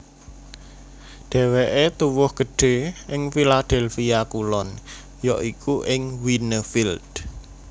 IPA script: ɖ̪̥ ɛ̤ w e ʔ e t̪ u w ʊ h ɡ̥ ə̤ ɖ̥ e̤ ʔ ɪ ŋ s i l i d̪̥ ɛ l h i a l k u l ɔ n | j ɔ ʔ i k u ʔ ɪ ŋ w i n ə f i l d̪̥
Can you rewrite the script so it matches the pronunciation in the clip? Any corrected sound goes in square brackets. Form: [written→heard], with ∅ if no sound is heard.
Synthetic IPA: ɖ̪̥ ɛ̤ w e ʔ e t̪ u w ʊ h ɡ̥ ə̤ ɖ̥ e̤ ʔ ɪ ŋ [s→f] i l [i→a] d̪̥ ɛ l [h→f] i a [l→∅] k u l ɔ n | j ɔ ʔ i k u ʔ ɪ ŋ w i n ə f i l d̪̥